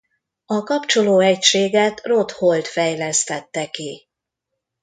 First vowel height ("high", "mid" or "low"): low